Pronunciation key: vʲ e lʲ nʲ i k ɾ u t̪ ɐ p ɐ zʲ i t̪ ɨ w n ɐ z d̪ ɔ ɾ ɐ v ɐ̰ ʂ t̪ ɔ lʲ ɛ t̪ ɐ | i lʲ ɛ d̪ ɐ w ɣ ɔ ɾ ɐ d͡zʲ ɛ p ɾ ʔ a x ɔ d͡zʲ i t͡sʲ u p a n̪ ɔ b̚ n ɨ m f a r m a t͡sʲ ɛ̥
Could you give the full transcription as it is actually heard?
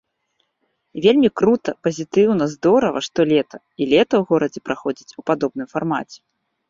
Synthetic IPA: vʲ e lʲ mʲ i k ɾ u t̪ ɐ p ɐ zʲ i t̪ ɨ w n ɐ z d̪ ɔ ɾ ɐ v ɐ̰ ʂ t̪ ɔ lʲ ɛ t̪ ɐ | i lʲ ɛ t̪ ɐ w ɣ ɔ ɾ ɐ d͡zʲ ɛ p ɾ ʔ a x ɔ d͡zʲ i t͡sʲ u p a d̪ ɔ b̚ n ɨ m f a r m a t͡sʲ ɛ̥